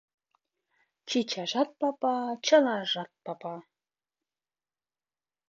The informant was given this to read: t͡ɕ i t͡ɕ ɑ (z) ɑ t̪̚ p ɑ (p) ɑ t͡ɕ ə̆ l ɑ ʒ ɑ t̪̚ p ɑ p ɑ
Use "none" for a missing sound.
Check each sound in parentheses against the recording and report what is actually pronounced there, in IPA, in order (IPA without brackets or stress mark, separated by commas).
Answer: ʒ, p